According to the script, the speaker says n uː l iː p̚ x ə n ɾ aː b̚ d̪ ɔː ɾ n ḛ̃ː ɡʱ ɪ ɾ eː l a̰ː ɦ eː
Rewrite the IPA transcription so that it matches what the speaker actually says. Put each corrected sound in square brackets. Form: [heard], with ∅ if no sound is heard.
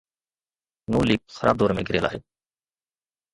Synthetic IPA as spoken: n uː l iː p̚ x ə [∅] ɾ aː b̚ d̪ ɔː ɾ [m] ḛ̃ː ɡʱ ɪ ɾ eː l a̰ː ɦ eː